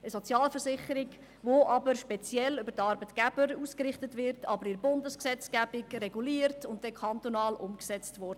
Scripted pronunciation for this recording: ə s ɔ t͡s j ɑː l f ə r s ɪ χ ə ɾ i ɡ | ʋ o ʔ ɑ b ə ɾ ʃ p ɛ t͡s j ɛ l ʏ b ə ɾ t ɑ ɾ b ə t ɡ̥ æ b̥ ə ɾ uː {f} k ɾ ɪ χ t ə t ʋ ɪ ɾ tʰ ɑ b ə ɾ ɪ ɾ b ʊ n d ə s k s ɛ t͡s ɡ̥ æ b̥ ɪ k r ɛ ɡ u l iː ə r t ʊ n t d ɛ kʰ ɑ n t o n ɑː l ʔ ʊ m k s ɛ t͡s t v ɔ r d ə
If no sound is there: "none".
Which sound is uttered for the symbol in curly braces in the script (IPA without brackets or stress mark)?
s